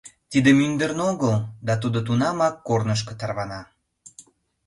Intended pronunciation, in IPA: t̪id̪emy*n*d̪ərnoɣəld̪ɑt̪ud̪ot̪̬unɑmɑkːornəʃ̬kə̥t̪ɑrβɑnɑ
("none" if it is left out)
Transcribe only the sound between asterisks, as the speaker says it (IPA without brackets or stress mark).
n